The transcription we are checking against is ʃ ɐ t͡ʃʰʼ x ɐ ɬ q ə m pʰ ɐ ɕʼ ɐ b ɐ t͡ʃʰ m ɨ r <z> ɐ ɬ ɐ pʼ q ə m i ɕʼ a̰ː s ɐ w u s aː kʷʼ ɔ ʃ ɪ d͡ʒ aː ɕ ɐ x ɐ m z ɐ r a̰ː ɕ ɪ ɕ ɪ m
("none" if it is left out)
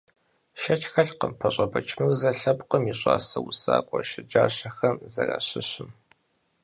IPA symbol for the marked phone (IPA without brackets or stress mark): z